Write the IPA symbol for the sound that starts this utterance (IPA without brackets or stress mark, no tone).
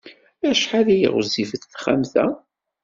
æ